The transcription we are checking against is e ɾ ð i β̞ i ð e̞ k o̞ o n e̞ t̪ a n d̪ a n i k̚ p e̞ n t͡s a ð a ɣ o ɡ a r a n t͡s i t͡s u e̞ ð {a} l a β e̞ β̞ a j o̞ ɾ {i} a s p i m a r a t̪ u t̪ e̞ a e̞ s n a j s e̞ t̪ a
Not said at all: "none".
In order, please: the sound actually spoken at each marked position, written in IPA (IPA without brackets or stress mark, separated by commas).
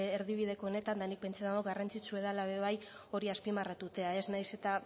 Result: a, i